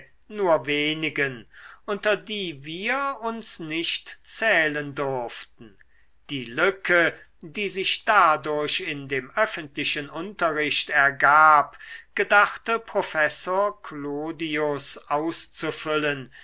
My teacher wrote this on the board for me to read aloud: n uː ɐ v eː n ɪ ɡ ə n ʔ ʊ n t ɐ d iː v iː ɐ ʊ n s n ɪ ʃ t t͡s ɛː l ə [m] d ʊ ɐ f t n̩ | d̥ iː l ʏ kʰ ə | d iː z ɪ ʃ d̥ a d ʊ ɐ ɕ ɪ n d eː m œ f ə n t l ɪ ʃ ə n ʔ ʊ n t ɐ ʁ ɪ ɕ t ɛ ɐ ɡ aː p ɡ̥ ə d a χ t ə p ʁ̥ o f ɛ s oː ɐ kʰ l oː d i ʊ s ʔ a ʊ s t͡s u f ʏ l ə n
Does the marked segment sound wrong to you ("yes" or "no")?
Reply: yes